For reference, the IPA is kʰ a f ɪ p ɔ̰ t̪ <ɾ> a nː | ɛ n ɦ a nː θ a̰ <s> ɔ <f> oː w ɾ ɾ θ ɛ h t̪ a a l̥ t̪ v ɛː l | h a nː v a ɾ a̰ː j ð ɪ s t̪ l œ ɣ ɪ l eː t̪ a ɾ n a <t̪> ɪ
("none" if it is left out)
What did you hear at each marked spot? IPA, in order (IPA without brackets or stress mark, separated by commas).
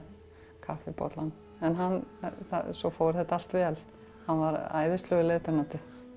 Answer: l, s, f, t̪